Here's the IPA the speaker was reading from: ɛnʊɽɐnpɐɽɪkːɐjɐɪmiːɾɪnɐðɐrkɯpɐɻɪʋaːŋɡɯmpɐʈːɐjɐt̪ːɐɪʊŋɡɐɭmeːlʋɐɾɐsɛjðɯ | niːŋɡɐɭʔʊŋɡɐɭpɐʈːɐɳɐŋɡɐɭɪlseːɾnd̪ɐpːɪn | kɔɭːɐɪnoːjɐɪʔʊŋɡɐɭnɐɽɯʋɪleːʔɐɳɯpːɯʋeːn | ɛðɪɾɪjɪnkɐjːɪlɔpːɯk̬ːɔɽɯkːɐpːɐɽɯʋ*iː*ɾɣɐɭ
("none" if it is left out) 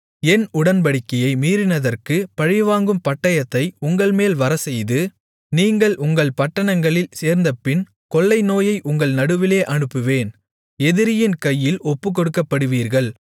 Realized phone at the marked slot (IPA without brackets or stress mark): iː